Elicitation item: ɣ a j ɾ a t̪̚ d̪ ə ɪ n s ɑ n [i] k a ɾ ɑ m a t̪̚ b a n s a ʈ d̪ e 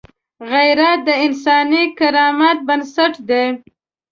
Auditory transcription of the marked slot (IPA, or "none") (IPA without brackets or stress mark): i